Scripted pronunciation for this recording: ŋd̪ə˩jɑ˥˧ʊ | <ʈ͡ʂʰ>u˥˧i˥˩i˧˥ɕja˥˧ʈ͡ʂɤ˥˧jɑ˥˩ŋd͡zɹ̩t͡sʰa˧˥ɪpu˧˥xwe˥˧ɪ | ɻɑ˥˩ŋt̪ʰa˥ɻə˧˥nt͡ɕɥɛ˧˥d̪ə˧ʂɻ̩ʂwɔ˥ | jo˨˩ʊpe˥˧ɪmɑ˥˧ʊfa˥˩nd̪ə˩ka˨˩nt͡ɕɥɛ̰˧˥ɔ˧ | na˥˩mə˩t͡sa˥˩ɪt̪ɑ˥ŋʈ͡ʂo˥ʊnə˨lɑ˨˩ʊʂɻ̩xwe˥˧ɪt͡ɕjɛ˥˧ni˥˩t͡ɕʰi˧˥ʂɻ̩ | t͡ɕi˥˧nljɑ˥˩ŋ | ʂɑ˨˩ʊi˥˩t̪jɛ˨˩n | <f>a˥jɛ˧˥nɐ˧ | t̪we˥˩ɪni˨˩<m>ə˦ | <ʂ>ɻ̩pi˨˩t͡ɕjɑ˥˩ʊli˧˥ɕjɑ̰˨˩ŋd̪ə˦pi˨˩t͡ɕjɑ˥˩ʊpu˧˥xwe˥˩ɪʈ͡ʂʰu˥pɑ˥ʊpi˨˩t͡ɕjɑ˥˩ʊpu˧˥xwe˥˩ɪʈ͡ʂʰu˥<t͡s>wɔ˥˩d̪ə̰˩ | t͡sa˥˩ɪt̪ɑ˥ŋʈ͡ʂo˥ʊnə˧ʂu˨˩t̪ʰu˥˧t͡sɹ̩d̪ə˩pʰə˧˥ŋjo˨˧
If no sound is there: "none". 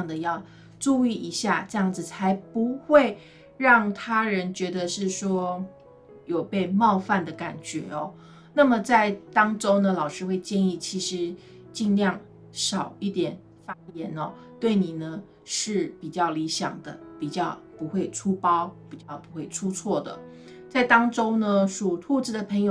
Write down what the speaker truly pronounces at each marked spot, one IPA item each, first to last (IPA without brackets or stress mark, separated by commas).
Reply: ʈ͡ʂ, f, n, ʂ, t͡sʰ